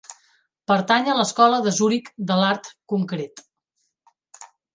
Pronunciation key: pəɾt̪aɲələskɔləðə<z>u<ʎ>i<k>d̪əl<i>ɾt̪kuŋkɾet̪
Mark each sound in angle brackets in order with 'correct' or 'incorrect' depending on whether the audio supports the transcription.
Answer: correct, incorrect, correct, incorrect

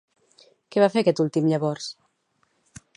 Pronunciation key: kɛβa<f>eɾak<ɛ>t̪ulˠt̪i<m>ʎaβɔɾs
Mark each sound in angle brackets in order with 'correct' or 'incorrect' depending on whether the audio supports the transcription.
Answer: correct, correct, correct

